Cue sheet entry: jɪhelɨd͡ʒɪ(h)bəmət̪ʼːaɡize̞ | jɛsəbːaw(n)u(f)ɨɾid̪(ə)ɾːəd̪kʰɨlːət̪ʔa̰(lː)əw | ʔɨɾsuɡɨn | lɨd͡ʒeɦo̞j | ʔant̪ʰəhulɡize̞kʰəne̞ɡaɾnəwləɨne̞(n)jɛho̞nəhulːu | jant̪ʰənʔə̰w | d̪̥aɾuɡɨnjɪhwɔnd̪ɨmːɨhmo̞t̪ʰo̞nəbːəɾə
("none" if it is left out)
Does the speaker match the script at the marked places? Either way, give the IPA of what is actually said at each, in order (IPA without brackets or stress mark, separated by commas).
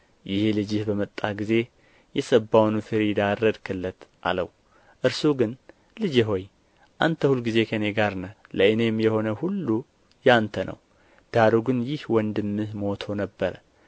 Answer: h, n, f, a, l, m